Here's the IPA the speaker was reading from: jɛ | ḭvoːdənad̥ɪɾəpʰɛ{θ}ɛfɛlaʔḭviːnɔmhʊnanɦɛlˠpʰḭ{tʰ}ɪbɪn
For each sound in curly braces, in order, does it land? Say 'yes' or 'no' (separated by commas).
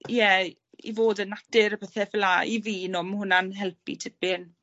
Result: yes, yes